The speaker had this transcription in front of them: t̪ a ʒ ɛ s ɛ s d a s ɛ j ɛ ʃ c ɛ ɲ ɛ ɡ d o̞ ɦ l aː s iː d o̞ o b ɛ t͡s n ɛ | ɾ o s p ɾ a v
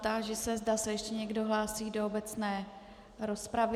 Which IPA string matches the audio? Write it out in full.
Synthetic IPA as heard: t̪ a ʒ ɛ s ɛ z d a s ɛ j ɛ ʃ c ɛ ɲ ɛ ɡ d o̞ ɦ l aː s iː d o̞ o b ɛ t͡s n ɛː | ɾ o s p ɾ a v